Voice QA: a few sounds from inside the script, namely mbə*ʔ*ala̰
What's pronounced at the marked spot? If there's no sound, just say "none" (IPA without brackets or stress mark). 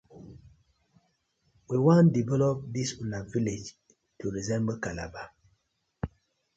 k